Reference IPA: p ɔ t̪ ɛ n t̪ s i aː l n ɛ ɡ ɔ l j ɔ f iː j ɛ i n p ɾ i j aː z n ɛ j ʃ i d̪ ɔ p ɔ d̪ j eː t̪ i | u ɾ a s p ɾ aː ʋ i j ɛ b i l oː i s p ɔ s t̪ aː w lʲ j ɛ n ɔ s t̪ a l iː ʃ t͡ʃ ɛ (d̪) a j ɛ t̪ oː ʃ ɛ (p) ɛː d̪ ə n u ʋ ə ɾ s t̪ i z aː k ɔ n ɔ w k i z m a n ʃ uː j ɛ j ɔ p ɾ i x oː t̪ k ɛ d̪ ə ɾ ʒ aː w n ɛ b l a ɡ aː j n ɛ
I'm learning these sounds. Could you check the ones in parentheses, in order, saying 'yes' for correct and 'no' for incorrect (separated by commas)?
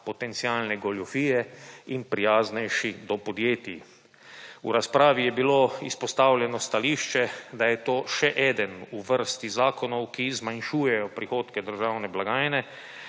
yes, no